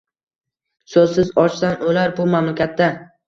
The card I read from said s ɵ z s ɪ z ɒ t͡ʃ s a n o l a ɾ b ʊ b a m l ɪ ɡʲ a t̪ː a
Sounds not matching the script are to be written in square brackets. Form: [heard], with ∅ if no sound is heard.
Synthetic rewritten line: s ɵ z s ɪ z ɒ t͡ʃ s a n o l a ɾ b ʊ [m] a m l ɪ [kʲ] a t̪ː a